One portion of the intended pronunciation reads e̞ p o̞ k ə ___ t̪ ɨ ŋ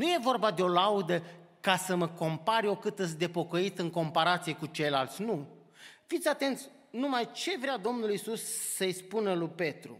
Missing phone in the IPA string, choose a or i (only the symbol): i